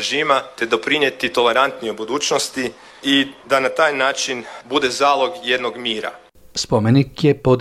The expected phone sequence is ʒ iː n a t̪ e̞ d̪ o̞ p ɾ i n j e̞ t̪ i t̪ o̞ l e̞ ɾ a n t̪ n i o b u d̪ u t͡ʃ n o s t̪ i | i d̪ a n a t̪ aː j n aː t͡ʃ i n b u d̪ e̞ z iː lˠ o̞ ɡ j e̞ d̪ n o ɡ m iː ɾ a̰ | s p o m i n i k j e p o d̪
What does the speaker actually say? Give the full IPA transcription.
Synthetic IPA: ʒ iː m a t̪ e̞ d̪ o̞ p ɾ i n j e̞ t̪ i t̪ o̞ l e̞ ɾ a n t̪ n i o b u d̪ uː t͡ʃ n o s t̪ i | i d̪ a n a t̪ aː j n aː t͡ʃ i n b u d̪ e̞ z aː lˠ o̞ ɡ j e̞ d̪ n o ɡ m iː ɾ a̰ | s p o m e n i k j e p o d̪